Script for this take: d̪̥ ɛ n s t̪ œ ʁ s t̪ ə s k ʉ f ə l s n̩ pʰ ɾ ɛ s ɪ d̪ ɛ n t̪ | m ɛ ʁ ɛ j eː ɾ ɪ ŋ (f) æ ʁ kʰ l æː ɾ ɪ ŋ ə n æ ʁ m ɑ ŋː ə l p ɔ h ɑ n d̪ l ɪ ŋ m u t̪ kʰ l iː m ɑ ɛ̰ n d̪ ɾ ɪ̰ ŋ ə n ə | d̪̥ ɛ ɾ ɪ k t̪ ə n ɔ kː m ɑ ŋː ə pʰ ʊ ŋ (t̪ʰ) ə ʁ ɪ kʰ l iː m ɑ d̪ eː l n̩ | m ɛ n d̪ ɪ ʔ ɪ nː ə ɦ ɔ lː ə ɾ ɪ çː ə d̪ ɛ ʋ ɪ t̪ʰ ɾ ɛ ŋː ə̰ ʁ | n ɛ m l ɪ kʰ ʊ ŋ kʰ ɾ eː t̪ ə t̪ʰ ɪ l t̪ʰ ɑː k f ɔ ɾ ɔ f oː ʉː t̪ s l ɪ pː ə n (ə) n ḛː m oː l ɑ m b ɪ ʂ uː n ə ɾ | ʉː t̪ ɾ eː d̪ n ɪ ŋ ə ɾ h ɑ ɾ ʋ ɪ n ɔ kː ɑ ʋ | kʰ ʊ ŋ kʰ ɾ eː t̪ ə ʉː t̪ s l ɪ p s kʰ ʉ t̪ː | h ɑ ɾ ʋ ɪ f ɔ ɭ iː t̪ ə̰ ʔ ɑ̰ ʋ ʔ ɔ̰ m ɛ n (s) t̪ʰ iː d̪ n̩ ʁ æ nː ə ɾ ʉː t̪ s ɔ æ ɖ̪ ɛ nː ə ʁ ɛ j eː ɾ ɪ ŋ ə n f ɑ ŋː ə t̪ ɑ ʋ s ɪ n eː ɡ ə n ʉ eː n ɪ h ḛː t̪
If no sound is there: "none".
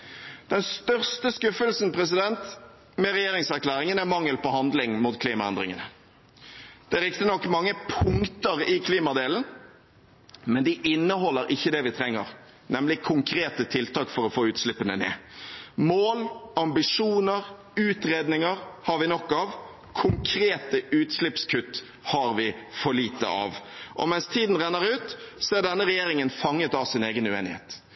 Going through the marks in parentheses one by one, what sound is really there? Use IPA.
s, t̪, ə, s

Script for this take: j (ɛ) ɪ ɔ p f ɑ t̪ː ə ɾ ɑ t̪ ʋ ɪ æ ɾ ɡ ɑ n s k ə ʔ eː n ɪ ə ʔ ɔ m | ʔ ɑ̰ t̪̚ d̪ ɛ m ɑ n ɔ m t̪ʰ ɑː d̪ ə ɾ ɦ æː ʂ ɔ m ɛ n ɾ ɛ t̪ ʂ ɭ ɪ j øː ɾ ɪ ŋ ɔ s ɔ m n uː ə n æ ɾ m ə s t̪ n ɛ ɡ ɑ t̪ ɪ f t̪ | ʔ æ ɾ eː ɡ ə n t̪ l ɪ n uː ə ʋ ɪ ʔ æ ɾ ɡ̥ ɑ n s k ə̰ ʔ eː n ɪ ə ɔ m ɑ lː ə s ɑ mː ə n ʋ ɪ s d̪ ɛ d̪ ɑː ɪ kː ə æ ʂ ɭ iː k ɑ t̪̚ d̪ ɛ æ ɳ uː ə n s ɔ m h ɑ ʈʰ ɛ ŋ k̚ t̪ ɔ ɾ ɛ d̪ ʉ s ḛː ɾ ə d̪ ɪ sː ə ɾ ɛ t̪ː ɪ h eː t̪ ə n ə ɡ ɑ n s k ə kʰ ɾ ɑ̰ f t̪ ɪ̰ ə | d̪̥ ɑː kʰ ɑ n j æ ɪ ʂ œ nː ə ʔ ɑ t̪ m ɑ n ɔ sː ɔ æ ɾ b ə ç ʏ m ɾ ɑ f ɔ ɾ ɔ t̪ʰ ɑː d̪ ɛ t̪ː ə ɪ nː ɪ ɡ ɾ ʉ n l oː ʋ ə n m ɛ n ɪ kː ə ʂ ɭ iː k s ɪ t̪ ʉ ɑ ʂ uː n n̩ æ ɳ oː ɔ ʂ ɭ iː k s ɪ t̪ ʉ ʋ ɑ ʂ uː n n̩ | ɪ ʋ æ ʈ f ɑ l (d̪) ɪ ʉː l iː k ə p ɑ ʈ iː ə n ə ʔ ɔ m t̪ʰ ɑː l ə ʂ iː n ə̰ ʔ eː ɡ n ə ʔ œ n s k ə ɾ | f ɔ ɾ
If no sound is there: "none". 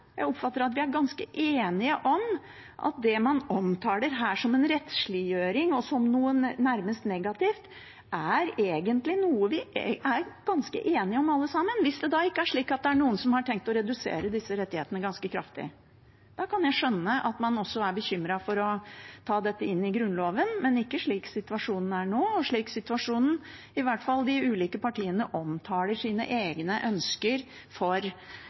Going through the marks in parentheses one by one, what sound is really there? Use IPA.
æ, d̪

